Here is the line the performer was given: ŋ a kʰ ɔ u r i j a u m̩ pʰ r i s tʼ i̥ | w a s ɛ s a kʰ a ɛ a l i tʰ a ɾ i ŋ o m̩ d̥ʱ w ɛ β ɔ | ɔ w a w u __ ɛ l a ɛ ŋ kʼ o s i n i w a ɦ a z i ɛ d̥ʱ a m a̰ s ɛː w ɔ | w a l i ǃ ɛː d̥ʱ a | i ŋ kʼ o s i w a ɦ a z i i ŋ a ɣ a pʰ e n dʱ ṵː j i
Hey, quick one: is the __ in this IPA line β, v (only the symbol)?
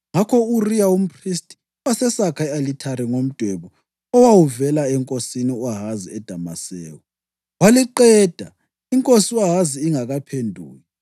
v